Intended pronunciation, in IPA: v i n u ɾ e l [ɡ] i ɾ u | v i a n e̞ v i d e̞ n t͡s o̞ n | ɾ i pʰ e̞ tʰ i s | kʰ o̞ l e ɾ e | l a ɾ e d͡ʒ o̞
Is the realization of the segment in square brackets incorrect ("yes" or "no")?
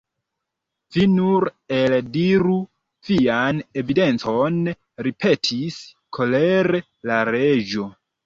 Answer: yes